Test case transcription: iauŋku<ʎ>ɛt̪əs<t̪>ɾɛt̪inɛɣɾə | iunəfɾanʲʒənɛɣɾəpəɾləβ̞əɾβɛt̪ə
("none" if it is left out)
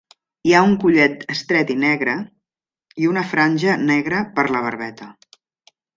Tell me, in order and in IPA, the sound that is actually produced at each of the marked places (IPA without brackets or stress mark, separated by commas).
ʎ, t̪